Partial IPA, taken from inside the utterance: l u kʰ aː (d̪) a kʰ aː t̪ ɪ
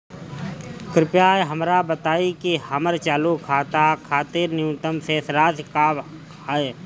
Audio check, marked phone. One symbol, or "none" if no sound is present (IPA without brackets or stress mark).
t̪